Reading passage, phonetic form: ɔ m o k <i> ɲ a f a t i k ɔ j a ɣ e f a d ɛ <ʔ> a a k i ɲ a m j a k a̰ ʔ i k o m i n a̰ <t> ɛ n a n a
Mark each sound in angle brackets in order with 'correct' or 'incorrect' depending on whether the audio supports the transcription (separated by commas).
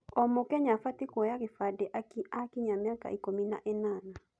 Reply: incorrect, correct, incorrect